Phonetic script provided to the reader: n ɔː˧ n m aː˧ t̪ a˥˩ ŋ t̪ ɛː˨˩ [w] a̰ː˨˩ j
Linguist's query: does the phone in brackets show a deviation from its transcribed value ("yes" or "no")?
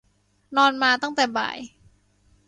yes